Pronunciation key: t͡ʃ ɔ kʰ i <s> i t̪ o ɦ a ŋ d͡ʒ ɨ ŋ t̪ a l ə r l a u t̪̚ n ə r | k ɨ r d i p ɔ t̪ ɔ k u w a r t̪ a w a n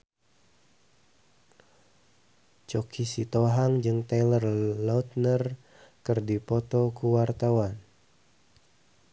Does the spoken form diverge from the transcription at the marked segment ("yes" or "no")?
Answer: no